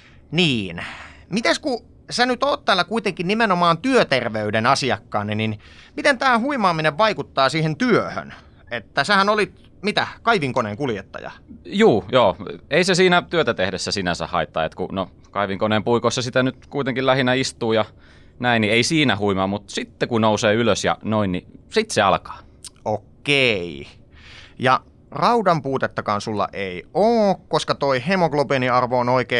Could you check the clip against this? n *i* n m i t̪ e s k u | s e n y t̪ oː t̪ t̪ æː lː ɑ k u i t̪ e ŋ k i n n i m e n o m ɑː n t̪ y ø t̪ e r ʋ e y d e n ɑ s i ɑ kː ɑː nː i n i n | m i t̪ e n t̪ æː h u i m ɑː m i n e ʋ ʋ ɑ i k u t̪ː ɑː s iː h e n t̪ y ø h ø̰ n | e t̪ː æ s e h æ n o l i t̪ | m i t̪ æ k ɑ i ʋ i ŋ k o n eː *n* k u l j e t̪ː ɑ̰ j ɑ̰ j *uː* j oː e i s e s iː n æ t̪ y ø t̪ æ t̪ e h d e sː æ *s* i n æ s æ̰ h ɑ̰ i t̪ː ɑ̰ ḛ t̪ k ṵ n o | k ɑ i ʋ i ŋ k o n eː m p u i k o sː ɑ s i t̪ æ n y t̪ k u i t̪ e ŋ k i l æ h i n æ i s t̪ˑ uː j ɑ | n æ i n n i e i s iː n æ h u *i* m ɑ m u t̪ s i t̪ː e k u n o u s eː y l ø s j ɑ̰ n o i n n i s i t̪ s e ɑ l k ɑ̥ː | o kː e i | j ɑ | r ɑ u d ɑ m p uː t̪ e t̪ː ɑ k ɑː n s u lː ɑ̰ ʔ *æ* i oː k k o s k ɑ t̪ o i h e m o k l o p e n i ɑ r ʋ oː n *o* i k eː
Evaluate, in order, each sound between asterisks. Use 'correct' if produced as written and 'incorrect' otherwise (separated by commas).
incorrect, incorrect, correct, correct, correct, incorrect, correct